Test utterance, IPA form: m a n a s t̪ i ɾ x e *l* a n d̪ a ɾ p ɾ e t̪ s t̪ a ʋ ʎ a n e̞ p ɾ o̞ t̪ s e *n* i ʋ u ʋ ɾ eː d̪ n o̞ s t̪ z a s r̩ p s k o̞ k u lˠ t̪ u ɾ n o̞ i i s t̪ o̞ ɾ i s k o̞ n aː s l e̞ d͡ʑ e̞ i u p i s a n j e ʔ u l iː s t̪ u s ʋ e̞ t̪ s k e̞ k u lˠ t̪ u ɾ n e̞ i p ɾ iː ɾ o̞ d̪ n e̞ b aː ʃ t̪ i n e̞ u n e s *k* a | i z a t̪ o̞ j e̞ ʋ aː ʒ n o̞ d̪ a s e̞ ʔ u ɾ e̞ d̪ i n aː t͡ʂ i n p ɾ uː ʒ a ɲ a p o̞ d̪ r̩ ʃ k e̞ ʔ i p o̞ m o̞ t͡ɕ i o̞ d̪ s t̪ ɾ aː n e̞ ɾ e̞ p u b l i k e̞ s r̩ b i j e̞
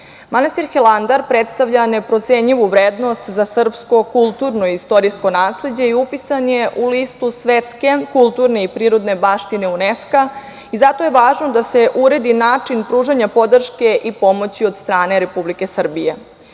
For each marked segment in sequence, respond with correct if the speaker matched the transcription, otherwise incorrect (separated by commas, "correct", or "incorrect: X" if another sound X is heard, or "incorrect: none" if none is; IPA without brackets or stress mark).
correct, incorrect: ɲ, correct